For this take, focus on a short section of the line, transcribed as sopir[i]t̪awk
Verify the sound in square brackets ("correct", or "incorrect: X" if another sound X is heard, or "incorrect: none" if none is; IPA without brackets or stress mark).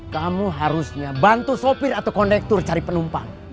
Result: incorrect: a